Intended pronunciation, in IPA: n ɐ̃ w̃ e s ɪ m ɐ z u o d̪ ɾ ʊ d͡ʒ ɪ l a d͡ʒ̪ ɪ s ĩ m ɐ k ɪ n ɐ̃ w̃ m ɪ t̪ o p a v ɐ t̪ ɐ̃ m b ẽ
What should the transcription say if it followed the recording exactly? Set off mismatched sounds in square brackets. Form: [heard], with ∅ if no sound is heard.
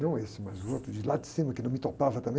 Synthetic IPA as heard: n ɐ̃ w̃ e s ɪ m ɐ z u o [t̪] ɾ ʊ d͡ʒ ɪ l a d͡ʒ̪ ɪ s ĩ m ɐ k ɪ n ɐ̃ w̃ m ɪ t̪ o p a v ɐ t̪ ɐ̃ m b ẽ